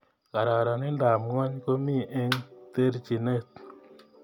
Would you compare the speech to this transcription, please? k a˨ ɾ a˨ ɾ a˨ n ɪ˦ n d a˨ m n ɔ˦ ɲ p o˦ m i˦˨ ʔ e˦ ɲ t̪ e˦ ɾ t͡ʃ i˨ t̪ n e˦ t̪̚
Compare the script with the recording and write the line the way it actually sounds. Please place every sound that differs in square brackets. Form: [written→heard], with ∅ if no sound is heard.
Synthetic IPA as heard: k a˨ ɾ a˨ ɾ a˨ n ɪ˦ n d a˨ m [n→ŋ] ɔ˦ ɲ [p→k] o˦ m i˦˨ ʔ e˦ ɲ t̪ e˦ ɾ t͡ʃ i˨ [t̪→∅] n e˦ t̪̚